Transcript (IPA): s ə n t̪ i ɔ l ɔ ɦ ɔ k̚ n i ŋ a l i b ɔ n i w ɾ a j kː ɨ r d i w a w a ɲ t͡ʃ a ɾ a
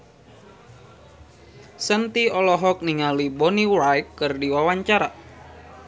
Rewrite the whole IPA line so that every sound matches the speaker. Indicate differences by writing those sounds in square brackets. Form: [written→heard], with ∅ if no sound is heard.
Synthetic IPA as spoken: s ə n t̪ i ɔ l ɔ ɦ ɔ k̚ n i ŋ a l i b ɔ n i w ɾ a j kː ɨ r d i w a w a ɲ t͡ʃ a ɾ a

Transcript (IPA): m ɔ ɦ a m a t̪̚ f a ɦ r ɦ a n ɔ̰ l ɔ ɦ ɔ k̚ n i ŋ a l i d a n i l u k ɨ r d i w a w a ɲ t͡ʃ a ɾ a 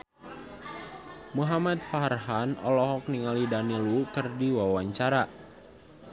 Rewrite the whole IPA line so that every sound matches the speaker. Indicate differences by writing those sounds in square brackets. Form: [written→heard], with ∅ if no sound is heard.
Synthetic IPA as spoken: m [ɔ→u] ɦ a m a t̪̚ f a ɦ r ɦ a n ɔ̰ l ɔ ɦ ɔ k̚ n i ŋ a l i d a n i l u k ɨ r d i w a w a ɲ t͡ʃ a ɾ a

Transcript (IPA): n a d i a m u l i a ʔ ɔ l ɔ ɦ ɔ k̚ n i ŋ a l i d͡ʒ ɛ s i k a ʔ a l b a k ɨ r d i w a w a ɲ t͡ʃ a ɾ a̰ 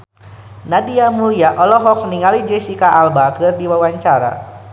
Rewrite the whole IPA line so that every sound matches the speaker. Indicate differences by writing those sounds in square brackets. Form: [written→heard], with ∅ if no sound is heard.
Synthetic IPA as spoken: n a d i a m u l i a ʔ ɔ l ɔ ɦ ɔ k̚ n i ŋ a l i d͡ʒ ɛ s i k a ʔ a l b a k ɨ r d i w a w a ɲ t͡ʃ a ɾ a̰

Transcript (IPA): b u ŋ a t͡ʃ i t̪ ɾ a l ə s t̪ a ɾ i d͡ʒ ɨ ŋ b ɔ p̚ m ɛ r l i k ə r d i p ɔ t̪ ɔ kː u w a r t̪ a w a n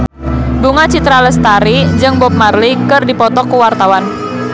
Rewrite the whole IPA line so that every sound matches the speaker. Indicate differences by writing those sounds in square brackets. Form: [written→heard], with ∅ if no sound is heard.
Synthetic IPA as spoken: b u ŋ a t͡ʃ i t̪ ɾ a l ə s t̪ a ɾ i d͡ʒ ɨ ŋ b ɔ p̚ m [ɛ→a] r l i k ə r d i p ɔ t̪ ɔ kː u w a r t̪ a w a n

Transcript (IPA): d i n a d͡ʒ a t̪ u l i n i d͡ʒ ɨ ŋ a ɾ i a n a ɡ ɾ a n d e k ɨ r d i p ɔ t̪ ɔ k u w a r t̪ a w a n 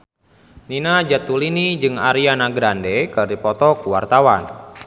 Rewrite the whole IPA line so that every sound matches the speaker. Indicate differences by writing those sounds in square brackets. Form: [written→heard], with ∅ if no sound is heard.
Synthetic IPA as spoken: [d→n] i n a d͡ʒ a t̪ u l i n i d͡ʒ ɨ ŋ a ɾ i a n a ɡ ɾ a n d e k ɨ r d i p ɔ t̪ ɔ k u w a r t̪ a w a n

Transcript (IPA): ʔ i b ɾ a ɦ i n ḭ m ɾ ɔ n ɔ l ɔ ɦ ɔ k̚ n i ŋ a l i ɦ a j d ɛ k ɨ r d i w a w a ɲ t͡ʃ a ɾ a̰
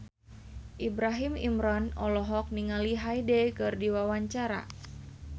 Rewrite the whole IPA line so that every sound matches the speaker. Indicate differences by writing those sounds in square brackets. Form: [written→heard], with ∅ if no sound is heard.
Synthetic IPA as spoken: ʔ i b ɾ a ɦ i [n→m] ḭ m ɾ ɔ n ɔ l ɔ ɦ ɔ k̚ n i ŋ a l i ɦ a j d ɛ k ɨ r d i w a w a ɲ t͡ʃ a ɾ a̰

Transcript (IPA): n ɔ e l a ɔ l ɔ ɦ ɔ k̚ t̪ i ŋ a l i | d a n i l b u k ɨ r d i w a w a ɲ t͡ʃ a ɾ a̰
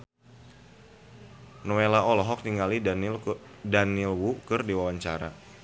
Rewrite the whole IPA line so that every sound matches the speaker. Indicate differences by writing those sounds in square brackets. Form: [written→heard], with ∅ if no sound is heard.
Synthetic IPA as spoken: n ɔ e l a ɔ l ɔ ɦ ɔ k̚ t̪ i ŋ a l i | d a n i l [b→w] u k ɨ r d i w a w a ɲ t͡ʃ a ɾ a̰

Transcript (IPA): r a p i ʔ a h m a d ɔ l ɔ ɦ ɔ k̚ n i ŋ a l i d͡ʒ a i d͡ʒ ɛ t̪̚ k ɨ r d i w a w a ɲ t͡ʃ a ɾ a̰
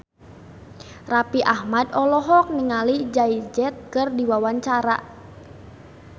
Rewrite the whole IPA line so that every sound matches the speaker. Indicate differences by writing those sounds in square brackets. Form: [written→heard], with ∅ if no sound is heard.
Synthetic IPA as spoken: r a p i ʔ a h m a d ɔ l ɔ ɦ ɔ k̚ n i ŋ a l i d͡ʒ a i d͡ʒ ɛ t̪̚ k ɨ r d i w a w a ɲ t͡ʃ a ɾ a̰

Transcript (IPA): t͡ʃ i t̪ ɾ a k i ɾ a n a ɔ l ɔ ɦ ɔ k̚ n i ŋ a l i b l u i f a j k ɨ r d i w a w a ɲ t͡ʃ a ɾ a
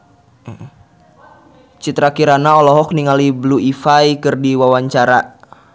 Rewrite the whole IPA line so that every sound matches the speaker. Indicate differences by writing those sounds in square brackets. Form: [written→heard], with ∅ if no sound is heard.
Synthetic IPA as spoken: t͡ʃ i t̪ ɾ a k i ɾ a n a ɔ l ɔ ɦ ɔ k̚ n i ŋ a l i b l u i f a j k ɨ r d i w a w a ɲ t͡ʃ a ɾ a

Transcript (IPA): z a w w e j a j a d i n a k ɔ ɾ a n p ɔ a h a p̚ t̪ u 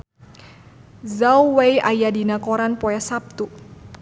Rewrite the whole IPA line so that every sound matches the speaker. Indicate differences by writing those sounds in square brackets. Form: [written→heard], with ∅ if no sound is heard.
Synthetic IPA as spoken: z a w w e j a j a d i n a k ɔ ɾ a n p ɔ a [h→s] a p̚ t̪ u

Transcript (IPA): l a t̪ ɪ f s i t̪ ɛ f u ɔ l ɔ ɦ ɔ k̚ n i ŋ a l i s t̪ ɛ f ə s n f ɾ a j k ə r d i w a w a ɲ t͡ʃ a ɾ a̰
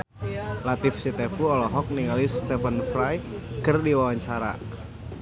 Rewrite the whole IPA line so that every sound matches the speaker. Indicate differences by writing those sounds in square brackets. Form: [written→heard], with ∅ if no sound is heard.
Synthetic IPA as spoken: l a t̪ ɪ f s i t̪ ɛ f u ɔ l ɔ ɦ ɔ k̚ n i ŋ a l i s t̪ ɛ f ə [s→∅] n f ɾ a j k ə r d i w a w a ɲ t͡ʃ a ɾ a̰

